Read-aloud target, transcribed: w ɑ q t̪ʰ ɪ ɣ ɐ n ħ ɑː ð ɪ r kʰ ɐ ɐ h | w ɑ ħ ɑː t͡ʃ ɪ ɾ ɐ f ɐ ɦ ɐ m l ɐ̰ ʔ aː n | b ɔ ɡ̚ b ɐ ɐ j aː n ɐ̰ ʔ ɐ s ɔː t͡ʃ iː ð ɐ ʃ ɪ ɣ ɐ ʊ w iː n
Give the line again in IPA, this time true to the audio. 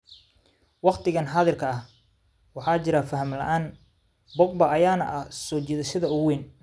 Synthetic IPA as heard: w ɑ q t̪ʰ ɪ ɣ ɐ n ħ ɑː ð ɪ r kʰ ɐ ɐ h | w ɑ ħ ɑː t͡ʃ ɪ ɾ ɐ f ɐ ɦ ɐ m l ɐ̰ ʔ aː n | b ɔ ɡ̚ b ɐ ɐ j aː n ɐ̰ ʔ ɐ s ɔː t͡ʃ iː ð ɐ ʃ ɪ ð ɐ ʊ w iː n

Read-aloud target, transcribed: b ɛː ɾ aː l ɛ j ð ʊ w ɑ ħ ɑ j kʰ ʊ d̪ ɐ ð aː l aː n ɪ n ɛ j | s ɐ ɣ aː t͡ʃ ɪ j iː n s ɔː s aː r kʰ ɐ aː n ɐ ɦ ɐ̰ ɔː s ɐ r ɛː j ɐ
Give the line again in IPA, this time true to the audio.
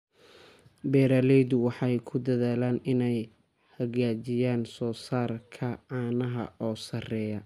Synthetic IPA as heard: b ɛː ɾ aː l ɛ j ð ʊ w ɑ ħ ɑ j kʰ ʊ d̪ ɐ ð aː l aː n ɪ n ɛ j | h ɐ ɣ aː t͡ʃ ɪ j aː n s ɔː s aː r kʰ ɐ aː n ɐ ɦ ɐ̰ ɔː s ɐ r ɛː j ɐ

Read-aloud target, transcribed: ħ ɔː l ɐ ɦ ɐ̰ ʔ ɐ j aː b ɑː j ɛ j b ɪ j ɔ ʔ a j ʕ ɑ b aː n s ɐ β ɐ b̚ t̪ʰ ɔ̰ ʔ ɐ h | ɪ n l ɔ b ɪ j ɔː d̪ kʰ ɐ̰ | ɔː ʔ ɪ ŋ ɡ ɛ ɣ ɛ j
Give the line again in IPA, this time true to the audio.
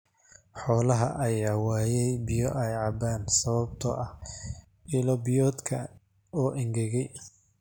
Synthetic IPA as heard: ħ ɔː l ɐ ɦ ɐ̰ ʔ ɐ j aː w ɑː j ɛ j b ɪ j ɔ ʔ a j ʕ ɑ b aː n s ɐ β ɐ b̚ t̪ʰ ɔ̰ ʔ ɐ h | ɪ l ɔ b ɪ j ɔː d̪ kʰ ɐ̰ | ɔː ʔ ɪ ŋ ɡ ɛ ɣ ɛ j

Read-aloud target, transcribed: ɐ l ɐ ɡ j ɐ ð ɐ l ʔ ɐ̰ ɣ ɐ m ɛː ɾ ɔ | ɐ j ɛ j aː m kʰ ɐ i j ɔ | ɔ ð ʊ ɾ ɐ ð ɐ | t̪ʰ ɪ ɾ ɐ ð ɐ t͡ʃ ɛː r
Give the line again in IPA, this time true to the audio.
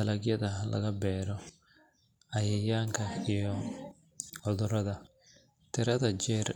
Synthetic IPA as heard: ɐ l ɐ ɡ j ɐ ð ɐ l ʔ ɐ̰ ɣ ɐ b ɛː ɾ ɔ | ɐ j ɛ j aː ŋ kʰ ɐ i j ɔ | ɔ ð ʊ ɾ ɐ ð ɐ | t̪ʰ ɪ ɾ ɐ ð ɐ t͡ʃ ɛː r

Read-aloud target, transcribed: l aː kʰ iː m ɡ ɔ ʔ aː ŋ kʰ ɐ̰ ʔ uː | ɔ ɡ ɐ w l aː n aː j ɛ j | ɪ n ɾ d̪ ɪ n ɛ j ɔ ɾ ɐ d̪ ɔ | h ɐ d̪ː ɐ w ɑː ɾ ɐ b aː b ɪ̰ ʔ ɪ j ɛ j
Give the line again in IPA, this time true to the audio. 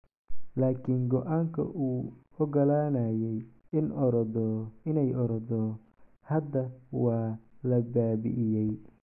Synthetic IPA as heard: l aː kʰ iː ŋ ɡ ɔ ʔ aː ŋ kʰ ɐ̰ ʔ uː | ɔ ɡ ɐ l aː n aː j ɛ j | ɪ n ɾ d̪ ɪ n ɛ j ɔ ɾ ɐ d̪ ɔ | h ɐ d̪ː ɐ w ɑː l ɐ b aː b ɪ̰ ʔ ɪ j ɛ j

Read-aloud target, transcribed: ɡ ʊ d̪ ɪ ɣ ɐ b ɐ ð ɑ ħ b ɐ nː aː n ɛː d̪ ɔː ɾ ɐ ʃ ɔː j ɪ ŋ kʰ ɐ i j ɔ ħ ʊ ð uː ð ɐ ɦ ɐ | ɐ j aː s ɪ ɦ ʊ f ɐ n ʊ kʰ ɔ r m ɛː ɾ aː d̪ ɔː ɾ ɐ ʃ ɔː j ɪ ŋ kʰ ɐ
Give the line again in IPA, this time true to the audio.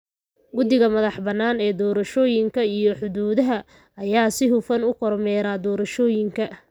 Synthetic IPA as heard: ɡ ʊ d̪ ɪ ɣ ɐ m ɐ ð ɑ ħ b ɐ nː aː n ɛː d̪ ɔː ɾ ɐ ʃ ɔː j ɪ ŋ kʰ ɐ i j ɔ ħ ʊ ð uː ð ɐ ɦ ɐ | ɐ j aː s ɪ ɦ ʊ f ɐ n ʊ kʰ ɔ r m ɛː ɾ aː d̪ ɔː ɾ ɐ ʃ ɔː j ɪ ŋ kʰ ɐ

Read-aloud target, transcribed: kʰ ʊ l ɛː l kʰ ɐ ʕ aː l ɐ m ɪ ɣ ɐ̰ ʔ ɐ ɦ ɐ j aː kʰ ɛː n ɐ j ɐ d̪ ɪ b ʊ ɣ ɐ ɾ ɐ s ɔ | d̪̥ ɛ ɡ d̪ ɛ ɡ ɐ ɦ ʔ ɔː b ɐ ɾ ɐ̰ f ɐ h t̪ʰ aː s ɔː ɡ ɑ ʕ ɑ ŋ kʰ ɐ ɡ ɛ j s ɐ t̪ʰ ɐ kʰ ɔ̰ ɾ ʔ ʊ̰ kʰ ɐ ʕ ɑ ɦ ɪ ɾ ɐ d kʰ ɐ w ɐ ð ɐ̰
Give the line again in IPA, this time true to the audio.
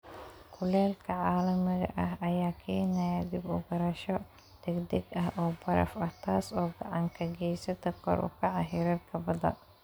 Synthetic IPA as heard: kʰ ʊ l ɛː l kʰ ɐ ʕ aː l ɐ m ɪ ɣ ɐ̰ ʔ ɐ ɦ ɐ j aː kʰ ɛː n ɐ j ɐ d̪ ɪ b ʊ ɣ ɐ ɾ ɐ ʃ ɔ | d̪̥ ɛ ɡ d̪ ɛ ɡ ɐ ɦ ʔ ɔː b ɐ ɾ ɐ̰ f ɐ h t̪ʰ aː s ɔː ɡ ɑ ʕ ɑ ŋ kʰ ɐ ɡ ɛ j s ɐ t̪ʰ ɐ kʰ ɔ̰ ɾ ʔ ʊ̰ kʰ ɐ ʕ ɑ ɦ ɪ ɾ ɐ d kʰ ɐ b ɐ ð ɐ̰

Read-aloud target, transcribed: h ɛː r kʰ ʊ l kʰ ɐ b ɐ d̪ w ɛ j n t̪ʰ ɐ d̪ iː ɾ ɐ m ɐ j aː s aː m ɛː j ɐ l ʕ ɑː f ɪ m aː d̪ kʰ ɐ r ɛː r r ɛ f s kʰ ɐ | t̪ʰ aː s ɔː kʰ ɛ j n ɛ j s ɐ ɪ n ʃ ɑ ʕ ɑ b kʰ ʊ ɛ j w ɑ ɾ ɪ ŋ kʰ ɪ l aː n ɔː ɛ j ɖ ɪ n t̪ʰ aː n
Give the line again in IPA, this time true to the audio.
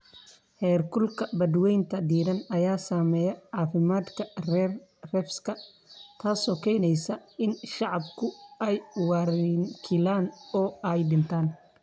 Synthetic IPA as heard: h ɛː r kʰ ʊ l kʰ ɐ b ɐ d̪ w ɛ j n t̪ʰ ɐ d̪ iː ɾ ɐ n ɐ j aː s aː m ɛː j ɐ ʕ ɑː f ɪ m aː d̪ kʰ ɐ r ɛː r r ɛ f s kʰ ɐ | t̪ʰ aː s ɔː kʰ ɛ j n ɛ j s ɐ ɪ n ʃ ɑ ʕ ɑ b kʰ ʊ ɛ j w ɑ ɾ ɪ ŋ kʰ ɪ l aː n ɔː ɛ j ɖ ɪ n t̪ʰ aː n

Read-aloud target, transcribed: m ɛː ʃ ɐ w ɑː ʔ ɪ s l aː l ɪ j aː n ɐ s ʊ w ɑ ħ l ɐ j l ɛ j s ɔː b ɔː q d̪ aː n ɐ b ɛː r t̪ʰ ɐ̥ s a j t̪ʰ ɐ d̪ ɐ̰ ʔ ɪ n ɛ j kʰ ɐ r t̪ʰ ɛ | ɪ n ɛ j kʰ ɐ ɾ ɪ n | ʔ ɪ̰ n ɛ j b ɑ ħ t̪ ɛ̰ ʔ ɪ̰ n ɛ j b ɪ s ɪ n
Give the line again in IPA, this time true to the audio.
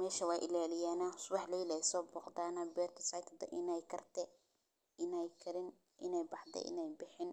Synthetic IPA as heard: m ɛː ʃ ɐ w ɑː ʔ ɪ l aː l ɪ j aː n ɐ s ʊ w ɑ ħ l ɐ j l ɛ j s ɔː b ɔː q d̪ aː n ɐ b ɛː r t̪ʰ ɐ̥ s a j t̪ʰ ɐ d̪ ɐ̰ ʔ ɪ n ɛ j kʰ ɐ r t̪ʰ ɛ | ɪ n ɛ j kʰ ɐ ɾ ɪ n | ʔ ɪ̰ n ɛ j b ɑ ħ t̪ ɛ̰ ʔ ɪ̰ n ɛ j b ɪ ħ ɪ n

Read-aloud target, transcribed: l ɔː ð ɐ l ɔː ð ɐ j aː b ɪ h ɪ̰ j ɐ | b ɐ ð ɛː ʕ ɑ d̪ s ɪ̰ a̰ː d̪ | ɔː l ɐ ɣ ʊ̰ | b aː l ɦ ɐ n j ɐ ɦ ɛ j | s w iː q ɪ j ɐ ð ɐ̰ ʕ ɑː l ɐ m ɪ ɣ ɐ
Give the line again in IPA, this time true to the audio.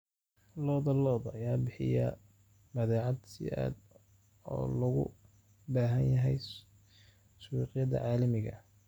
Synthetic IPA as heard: l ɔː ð ɐ l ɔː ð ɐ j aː b ɪ ħ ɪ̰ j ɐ | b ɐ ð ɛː ʕ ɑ d̪ s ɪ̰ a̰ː d̪ | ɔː l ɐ ɣ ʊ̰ | b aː ɦ ɐ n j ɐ ɦ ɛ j | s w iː q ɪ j ɐ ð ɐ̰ ʕ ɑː l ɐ m ɪ ɣ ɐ

